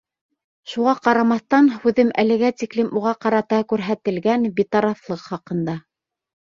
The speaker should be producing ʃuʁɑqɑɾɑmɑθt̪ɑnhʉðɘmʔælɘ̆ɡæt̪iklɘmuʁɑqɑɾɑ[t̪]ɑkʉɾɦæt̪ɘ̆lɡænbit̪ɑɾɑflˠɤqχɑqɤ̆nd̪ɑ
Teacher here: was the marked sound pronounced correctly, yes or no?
yes